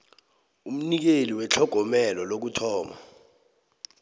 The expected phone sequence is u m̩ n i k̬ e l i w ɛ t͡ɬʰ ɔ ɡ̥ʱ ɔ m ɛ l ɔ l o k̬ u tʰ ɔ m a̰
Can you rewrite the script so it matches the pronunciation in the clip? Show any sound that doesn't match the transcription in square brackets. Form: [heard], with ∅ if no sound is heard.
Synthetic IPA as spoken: u m̩ n i k̬ e l i w ɛ t͡ɬʰ ɔ ɡ̥ʱ ɔ m ɛ l ɔ l o k̬ u tʰ [ɔː] m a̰